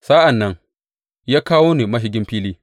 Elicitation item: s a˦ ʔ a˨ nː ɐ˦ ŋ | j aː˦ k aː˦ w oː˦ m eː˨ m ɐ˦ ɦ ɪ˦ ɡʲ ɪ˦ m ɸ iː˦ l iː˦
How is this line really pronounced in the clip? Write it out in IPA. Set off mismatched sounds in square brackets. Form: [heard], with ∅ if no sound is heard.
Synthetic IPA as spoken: s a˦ ʔ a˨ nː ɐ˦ ŋ | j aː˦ k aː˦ w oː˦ [n] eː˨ m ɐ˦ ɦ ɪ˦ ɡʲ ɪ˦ m ɸ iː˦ l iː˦

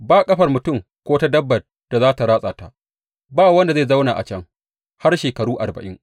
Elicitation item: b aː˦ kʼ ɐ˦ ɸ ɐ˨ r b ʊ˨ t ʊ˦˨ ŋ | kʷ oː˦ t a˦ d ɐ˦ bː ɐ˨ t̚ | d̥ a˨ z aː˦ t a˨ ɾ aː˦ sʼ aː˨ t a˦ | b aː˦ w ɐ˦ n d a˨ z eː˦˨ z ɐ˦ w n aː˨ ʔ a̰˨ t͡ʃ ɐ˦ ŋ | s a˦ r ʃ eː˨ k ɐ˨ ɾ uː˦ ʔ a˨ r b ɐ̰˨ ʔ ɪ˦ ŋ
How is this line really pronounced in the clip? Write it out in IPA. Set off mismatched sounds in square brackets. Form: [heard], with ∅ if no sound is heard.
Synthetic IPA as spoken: b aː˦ kʼ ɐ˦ ɸ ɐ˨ r [m] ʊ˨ t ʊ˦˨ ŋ | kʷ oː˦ t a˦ d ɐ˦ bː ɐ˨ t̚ | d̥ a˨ z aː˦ t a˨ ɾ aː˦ sʼ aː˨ t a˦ | b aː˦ w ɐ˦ n d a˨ z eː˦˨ z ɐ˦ w n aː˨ ʔ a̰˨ t͡ʃ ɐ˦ ŋ | [h] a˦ r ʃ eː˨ k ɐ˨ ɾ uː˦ ʔ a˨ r b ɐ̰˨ ʔ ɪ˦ ŋ

